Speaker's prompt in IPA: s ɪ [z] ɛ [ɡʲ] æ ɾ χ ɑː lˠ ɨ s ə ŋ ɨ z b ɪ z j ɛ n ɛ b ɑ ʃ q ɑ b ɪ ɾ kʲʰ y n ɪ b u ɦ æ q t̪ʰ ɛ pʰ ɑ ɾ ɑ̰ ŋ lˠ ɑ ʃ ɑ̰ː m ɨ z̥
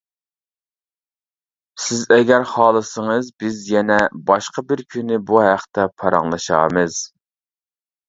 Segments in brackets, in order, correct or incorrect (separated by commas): correct, correct